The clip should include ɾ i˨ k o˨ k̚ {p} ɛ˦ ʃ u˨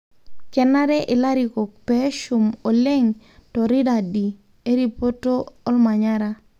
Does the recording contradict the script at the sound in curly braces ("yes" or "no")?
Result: no